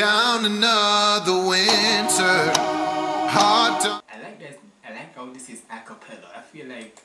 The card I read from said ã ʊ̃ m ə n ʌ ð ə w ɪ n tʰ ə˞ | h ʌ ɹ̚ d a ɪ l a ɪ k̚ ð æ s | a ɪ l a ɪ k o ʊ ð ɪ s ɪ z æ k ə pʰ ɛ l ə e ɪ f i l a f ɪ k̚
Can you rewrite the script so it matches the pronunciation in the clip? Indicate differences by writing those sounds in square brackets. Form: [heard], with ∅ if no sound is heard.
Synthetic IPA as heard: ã ʊ̃ [n] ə n ʌ ð ə w ɪ n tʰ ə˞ | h [ɑ] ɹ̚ d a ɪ l a ɪ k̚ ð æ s | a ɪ l a ɪ k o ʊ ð ɪ s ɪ z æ k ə pʰ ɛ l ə [a] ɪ f i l a [∅] ɪ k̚